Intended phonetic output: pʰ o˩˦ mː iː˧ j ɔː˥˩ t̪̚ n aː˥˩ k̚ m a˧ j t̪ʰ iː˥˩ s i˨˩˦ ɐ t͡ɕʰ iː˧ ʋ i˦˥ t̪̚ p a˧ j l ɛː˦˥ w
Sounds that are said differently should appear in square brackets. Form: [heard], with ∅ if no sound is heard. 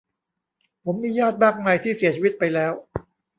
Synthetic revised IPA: pʰ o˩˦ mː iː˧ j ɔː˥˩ t̪̚ [m] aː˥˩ k̚ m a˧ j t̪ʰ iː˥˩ s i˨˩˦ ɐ t͡ɕʰ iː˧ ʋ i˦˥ t̪̚ p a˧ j l ɛː˦˥ w